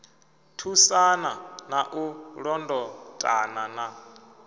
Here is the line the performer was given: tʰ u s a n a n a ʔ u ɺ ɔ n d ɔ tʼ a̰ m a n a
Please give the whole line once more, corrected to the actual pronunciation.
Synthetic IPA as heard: tʰ u s a n a n a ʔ u ɺ ɔ n d ɔ tʼ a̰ n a n a